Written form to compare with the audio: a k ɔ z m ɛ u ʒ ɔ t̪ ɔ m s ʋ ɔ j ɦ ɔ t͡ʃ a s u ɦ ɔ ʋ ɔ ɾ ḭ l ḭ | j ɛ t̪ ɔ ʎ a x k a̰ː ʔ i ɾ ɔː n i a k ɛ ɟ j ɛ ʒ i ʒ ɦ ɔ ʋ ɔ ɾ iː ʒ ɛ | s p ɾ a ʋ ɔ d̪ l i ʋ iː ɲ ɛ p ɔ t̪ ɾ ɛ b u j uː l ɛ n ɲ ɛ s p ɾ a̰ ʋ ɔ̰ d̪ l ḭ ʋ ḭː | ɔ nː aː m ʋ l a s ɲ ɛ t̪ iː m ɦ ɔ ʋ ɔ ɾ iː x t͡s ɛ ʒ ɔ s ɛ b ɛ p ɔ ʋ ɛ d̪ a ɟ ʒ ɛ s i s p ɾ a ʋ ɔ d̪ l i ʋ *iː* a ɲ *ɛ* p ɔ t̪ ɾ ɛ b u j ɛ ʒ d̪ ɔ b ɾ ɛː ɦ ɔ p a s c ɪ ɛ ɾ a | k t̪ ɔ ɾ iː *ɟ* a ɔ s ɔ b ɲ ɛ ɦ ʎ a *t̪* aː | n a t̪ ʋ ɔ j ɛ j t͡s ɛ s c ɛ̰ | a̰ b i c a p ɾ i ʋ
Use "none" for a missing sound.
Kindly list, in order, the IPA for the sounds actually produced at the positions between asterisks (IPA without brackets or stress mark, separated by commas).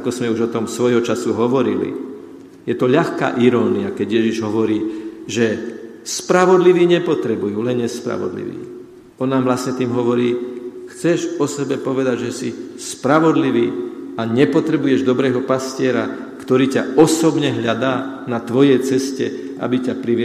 iː, ɛ, c, d̪